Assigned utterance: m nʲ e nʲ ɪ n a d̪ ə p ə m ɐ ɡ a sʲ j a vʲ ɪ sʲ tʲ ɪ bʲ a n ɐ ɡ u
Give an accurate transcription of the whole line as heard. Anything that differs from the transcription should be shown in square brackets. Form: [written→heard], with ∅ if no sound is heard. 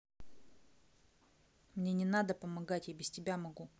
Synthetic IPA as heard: m nʲ e nʲ ɪ n a d̪ ə p ə m ɐ ɡ a [sʲ→tʲ] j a [vʲ→bʲ] ɪ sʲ tʲ ɪ bʲ a [n→m] ɐ ɡ u